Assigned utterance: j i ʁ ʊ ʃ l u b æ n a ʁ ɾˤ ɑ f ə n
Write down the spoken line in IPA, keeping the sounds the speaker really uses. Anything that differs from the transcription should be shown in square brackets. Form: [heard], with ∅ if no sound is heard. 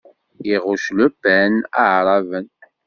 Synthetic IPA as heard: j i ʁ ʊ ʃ l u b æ n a [ʕ] ɾˤ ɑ [v] ə n